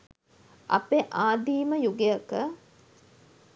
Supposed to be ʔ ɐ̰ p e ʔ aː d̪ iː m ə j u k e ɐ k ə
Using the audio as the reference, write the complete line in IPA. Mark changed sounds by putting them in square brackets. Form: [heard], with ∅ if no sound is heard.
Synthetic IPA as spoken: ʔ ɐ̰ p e ʔ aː d̪ iː m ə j u [ɡ] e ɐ k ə